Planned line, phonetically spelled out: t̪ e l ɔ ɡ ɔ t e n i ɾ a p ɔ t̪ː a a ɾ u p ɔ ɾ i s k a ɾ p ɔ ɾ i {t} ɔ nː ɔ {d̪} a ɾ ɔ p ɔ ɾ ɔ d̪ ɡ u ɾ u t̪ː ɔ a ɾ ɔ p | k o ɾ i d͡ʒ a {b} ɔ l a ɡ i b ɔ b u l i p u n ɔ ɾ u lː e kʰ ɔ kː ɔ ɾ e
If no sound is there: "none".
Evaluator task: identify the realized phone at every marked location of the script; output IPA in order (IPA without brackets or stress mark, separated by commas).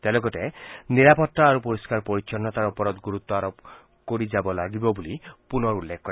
t͡ʃ, t̪, b